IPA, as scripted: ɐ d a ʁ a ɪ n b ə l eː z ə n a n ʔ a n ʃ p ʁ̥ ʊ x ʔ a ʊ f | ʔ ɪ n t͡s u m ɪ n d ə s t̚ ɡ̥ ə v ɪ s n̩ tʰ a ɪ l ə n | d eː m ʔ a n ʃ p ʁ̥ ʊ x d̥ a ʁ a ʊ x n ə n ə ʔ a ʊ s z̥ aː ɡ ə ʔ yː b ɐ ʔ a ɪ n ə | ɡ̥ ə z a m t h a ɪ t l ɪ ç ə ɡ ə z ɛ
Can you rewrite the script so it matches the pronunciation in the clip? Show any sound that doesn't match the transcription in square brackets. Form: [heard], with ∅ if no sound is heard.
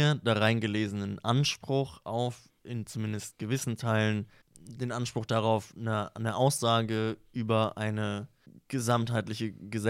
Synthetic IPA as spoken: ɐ d a ʁ a ɪ n [ɡ] ə l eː z ə n [ə] n ʔ a n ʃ p ʁ̥ ʊ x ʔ a ʊ f | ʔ ɪ n t͡s u m ɪ n d ə s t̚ ɡ̥ ə v ɪ s n̩ tʰ a ɪ l ə n | d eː [n] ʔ a n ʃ p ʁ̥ ʊ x d̥ a ʁ a ʊ [f] n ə n ə ʔ a ʊ s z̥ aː ɡ ə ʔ yː b ɐ ʔ a ɪ n ə | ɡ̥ ə z a m t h a ɪ t l ɪ ç ə ɡ ə z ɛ